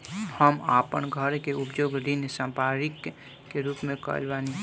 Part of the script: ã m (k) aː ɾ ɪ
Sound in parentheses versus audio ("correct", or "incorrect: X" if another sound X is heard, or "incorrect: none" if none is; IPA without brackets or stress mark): incorrect: p